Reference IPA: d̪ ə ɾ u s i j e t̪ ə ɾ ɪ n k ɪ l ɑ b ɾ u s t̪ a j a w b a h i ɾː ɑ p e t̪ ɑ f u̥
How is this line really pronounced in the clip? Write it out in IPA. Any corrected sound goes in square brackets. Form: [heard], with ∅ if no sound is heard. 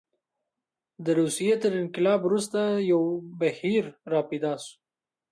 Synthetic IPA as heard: d̪ ə ɾ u s i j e t̪ ə ɾ ɪ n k ɪ l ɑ b ɾ u s t̪ a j a w b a h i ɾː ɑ p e [d̪] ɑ [s] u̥